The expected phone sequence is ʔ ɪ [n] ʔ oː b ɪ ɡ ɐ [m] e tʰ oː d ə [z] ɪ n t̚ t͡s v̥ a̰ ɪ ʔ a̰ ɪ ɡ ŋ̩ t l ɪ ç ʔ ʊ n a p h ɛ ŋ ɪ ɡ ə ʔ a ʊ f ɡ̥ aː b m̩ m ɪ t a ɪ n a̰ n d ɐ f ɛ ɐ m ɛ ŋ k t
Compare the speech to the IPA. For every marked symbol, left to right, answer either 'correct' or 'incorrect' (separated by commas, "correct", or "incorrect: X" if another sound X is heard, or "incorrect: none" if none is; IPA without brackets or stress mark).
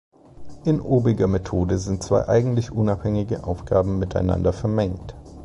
correct, correct, correct